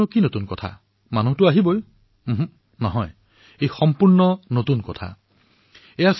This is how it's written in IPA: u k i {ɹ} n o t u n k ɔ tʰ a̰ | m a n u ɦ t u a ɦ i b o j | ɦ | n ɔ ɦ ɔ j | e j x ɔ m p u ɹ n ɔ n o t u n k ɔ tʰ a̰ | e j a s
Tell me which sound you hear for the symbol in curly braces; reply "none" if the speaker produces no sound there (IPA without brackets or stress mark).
none